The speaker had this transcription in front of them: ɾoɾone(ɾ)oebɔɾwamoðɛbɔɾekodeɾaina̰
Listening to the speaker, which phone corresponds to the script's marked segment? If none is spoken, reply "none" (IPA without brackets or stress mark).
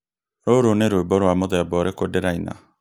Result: ɾ